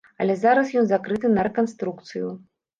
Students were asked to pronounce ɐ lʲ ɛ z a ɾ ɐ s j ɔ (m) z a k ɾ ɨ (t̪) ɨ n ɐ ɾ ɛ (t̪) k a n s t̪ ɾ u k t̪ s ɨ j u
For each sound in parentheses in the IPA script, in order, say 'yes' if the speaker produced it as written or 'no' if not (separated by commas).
no, yes, no